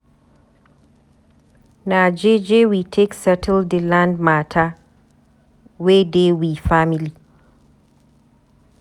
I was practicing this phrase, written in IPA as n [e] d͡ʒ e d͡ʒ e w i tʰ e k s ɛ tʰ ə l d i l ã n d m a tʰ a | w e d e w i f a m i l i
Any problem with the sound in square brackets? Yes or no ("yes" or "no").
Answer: yes